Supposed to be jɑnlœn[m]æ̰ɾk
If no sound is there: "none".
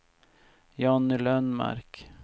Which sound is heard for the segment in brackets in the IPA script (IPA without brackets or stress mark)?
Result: m